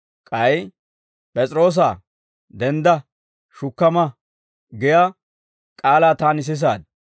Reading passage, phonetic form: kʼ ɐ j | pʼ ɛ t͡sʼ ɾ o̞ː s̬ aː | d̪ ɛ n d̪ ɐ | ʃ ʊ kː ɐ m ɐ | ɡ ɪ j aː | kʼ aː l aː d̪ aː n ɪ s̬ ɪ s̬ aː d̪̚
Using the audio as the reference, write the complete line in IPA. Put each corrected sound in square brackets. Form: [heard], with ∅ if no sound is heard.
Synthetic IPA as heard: kʼ ɐ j | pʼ ɛ t͡sʼ ɾ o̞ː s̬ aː | d̪ ɛ n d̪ ɐ | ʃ ʊ kː ɐ m ɐ | ɡ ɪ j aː | kʼ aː l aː [t̪] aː n ɪ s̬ ɪ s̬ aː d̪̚